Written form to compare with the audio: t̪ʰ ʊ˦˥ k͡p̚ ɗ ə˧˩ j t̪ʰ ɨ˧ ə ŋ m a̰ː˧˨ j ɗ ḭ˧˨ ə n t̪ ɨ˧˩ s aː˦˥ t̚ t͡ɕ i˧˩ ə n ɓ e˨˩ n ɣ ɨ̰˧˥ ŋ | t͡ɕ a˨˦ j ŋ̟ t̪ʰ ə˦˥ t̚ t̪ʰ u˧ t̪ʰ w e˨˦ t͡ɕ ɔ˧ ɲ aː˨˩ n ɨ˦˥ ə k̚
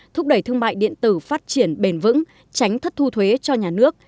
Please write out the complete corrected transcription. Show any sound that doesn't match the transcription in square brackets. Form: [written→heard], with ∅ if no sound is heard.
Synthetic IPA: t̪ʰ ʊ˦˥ k͡p̚ ɗ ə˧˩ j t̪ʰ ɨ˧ ə ŋ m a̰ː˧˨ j ɗ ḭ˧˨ ə n t̪ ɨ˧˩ [s→f] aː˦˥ t̚ t͡ɕ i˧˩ ə n ɓ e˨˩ n [ɣ→v] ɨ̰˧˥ ŋ | t͡ɕ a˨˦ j ŋ̟ t̪ʰ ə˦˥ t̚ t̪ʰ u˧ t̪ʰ w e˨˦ t͡ɕ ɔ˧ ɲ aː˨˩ n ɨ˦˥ ə k̚